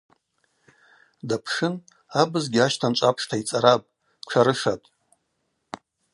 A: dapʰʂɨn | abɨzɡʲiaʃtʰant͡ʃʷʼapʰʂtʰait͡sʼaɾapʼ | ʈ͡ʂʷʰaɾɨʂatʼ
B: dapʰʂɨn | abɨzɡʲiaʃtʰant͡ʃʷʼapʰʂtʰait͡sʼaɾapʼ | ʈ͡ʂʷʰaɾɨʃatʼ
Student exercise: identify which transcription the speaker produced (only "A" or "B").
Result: A